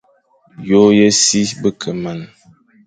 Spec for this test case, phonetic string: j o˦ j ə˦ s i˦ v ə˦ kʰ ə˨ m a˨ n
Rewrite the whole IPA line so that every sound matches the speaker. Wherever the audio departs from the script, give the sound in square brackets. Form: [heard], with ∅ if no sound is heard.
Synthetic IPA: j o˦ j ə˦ s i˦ [b] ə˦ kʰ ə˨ m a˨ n